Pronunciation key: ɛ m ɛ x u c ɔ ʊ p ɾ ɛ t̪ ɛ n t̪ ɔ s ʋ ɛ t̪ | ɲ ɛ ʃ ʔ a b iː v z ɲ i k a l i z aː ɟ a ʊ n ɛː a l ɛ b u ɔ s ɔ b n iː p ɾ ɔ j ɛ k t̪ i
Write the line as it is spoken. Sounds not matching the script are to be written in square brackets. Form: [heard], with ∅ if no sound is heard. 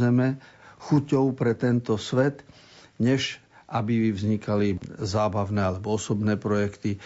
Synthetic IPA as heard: ɛ m ɛ x u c ɔ ʊ p ɾ ɛ t̪ ɛ n t̪ ɔ s ʋ ɛ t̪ | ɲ ɛ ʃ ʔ a b [i] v z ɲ i k a l i z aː [b] a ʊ n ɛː a l ɛ b [ɔ] ɔ s ɔ b n [ɛː] p ɾ ɔ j ɛ k t̪ i